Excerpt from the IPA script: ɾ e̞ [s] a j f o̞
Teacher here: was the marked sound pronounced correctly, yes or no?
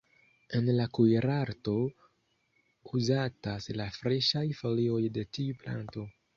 no